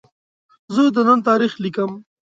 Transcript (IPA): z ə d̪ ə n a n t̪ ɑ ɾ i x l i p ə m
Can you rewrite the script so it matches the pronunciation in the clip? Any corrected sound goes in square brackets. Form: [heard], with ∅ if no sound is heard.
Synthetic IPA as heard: z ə d̪ ə n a n t̪ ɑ ɾ i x l i [k] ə m